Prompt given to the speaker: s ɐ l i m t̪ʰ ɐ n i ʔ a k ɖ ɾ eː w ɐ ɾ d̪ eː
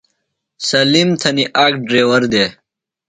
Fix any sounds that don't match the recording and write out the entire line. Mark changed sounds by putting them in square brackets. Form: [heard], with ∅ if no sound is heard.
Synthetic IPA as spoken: s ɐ l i m t̪ʰ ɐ n i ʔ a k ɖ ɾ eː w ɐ ɾ d̪ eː